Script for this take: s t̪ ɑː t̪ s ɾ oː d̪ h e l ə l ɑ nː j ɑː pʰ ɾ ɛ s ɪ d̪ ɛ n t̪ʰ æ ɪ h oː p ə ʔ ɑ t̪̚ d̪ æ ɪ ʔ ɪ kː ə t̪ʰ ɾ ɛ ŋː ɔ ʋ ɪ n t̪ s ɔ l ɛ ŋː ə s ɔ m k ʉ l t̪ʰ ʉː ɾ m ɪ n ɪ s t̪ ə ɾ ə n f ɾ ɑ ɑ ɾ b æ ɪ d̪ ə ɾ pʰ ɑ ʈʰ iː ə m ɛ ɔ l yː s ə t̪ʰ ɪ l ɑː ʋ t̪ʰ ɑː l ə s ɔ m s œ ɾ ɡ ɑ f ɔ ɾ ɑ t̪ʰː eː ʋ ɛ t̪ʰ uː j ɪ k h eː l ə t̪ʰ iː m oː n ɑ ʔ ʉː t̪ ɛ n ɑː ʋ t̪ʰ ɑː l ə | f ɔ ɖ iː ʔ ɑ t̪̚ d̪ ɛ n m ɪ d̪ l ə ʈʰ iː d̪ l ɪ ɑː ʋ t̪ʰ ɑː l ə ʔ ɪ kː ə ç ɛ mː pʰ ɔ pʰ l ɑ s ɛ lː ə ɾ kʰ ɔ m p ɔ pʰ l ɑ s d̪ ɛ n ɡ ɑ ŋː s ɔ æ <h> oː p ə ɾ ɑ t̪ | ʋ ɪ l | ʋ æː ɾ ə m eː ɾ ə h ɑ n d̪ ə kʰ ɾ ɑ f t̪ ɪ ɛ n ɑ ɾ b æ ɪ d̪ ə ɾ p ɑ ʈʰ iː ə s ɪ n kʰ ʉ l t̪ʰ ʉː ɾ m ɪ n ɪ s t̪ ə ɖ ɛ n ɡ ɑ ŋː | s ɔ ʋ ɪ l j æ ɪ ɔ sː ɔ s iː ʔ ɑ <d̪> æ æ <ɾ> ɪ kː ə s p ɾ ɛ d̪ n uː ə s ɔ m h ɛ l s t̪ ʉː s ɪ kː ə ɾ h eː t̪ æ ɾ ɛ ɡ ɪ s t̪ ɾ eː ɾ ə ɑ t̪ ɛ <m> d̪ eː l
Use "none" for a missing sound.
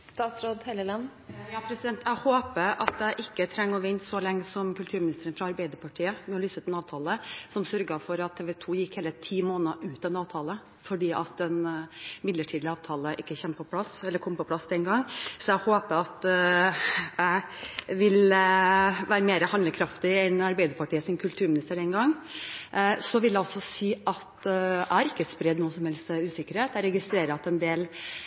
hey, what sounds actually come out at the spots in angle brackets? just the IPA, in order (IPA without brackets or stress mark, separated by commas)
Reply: h, t̪, ɾ, n